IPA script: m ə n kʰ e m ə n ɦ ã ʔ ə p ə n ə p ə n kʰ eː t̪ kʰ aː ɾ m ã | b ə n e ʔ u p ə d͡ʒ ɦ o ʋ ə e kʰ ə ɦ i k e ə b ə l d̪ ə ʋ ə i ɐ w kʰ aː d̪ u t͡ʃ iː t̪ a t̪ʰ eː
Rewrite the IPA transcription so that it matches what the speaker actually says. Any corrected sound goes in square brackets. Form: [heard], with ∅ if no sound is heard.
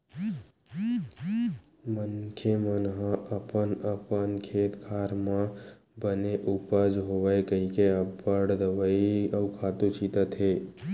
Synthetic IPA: m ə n kʰ e m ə n ɦ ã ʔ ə p ə n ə p ə n kʰ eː t̪ kʰ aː ɾ m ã | b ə n e ʔ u p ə d͡ʒ ɦ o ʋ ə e [k] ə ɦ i k e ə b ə [ɽ] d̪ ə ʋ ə i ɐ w kʰ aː [t̪] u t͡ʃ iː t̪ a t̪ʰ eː

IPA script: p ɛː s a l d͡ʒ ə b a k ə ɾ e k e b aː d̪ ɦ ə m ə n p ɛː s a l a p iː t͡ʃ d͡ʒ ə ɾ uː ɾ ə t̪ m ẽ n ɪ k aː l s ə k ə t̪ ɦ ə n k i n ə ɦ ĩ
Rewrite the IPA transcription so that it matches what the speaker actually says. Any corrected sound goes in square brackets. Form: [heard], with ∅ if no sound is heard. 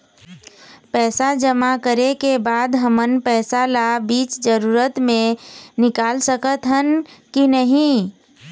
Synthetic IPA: p ɛː s a [∅] d͡ʒ ə [m] a k ə ɾ e k e b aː d̪ ɦ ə m ə n p ɛː s a l a [b] iː t͡ʃ d͡ʒ ə ɾ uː ɾ ə t̪ m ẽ n ɪ k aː l s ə k ə t̪ ɦ ə n k i n ə ɦ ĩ

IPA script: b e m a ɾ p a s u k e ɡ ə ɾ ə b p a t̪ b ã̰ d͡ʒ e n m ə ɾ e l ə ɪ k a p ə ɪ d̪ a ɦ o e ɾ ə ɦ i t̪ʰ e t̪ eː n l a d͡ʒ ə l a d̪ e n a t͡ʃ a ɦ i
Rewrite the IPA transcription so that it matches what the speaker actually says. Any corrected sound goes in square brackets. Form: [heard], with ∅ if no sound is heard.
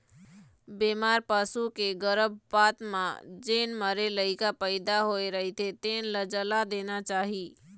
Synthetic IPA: b e m a ɾ p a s u k e ɡ ə ɾ ə b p a t̪ [m] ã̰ d͡ʒ e n m ə ɾ e l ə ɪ k a p ə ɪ d̪ a ɦ o e ɾ ə ɦ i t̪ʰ e t̪ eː n l [ə] d͡ʒ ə l a d̪ e n a t͡ʃ a ɦ i

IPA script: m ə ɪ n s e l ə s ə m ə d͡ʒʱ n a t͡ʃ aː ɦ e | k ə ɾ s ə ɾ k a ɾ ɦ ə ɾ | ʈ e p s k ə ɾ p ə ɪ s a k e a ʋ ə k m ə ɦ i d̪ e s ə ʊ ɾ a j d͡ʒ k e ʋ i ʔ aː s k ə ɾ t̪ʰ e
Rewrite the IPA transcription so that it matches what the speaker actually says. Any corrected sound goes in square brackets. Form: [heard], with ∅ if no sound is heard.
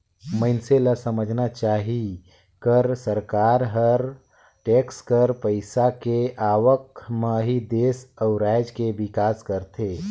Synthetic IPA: m ə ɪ n s e l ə s ə m ə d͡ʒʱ n a t͡ʃ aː ɦ [i] | k ə ɾ s ə ɾ k a ɾ ɦ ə ɾ | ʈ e [k] s k ə ɾ p ə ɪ s a k e a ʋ ə k m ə ɦ i d̪ e s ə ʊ ɾ a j d͡ʒ k e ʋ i [k] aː s k ə ɾ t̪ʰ e

